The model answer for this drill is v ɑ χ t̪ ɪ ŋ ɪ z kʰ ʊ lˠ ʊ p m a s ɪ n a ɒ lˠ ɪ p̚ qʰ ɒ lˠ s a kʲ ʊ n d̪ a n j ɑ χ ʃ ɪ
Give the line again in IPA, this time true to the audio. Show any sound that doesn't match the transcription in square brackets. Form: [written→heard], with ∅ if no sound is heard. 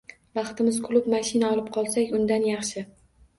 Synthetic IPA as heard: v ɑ χ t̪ ɪ [ŋ→m] ɪ z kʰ ʊ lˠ ʊ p m a [s→ʃ] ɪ n a ɒ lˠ ɪ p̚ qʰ ɒ lˠ s a kʲ ʊ n d̪ a n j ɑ χ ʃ ɪ